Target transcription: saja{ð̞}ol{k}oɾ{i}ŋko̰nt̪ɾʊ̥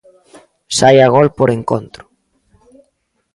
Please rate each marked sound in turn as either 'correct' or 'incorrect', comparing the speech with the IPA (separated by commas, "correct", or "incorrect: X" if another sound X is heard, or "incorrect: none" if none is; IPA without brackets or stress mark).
incorrect: ɣ̞, incorrect: p, incorrect: e